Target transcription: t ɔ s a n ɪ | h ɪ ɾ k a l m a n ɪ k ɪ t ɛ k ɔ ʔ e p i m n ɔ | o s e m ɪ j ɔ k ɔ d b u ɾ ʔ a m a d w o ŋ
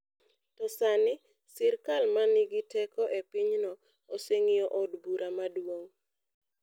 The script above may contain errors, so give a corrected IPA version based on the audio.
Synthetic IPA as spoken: t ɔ s a n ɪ | s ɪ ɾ k a l m a n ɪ ɡ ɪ t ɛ k ɔ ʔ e p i ɲ n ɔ | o s e ŋ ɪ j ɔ ʔ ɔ d b u ɾ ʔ a m a d w o ŋ

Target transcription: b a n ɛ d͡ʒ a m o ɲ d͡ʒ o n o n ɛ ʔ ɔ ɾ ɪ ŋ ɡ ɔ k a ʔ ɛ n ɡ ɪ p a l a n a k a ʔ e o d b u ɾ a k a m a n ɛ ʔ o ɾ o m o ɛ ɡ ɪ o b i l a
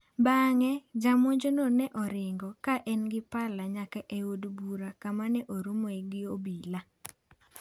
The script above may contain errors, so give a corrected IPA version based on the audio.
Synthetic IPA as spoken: b a ŋ ɛ d͡ʒ a m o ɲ d͡ʒ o n o n ɛ ʔ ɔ ɾ ɪ ŋ ɡ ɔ k a ʔ ɛ n ɡ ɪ p a l a ɲ a k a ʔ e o d b u ɾ a k a m a n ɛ ʔ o ɾ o m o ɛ ɡ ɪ o b i l a

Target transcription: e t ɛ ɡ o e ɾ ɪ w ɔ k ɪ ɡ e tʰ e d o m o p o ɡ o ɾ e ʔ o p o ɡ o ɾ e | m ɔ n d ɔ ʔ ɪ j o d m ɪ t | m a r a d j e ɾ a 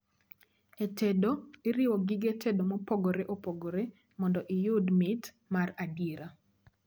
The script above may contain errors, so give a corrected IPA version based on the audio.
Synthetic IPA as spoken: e t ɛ d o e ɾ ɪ w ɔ ɡ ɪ ɡ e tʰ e d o m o p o ɡ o ɾ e ʔ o p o ɡ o ɾ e | m ɔ n d ɔ ʔ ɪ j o d m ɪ t | m a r a d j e ɾ a

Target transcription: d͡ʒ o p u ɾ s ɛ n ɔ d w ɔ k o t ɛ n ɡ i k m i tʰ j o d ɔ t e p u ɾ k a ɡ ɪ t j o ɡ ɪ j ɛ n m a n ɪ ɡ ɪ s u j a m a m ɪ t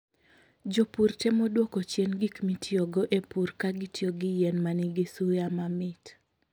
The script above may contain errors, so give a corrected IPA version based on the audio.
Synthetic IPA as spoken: d͡ʒ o p u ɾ t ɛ m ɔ d w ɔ k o t͡ʃ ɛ n ɡ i k m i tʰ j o ɡ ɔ ʔ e p u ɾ k a ɡ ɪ t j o ɡ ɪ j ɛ n m a n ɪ ɡ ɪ s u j a m a m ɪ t

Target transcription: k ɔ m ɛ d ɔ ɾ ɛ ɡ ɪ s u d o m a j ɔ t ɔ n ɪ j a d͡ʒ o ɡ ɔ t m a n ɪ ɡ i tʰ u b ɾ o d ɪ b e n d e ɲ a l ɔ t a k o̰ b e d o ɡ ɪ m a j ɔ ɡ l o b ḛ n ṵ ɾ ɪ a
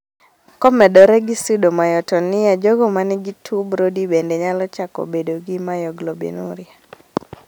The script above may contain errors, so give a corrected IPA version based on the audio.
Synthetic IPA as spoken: k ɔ m ɛ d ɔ ɾ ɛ ɡ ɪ s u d o m a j ɔ t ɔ n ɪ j a d͡ʒ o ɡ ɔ m a n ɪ ɡ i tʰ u b ɾ o d i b e n d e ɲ a l ɔ t͡ʃ a k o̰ b e d o ɡ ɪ m a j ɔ ɡ l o b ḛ n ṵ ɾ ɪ a

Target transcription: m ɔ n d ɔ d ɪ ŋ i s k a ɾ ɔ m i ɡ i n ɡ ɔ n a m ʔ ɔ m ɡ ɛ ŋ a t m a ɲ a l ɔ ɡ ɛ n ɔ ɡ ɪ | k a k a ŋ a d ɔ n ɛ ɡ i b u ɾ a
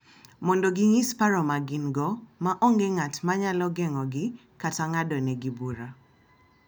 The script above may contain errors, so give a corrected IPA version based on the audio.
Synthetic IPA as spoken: m ɔ n d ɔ ɡ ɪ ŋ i s p a ɾ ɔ m a ɡ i n ɡ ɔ m a ʔ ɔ ŋ ɡ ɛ ŋ a t m a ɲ a l ɔ ɡ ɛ ŋ ɔ ɡ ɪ | k a t a ŋ a d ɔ n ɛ ɡ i b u ɾ a

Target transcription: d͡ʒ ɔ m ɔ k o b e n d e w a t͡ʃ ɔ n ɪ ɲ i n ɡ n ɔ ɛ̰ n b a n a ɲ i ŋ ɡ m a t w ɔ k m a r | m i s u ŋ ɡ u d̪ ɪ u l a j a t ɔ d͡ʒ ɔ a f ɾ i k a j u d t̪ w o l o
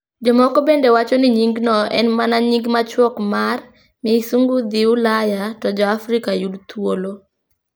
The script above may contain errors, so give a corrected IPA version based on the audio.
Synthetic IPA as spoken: d͡ʒ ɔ m ɔ k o b e n d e w a t͡ʃ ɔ n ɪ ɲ i ŋ ɡ n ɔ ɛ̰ n m a n a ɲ i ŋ ɡ m a t͡ʃ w ɔ k m a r | m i s u ŋ ɡ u d̪ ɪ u l a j a t ɔ d͡ʒ ɔ a f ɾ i k a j u d t̪ w o l o

